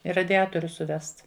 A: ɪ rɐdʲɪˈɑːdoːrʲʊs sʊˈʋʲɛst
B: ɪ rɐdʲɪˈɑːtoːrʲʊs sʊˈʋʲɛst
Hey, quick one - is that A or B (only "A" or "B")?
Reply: B